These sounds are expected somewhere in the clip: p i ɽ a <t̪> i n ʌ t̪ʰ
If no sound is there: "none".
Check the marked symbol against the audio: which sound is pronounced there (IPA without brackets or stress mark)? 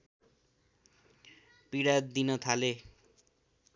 d̪